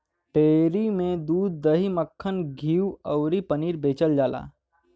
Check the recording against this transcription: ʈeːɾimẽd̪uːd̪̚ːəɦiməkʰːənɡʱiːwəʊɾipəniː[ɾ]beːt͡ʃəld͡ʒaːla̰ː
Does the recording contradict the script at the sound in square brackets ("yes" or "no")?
no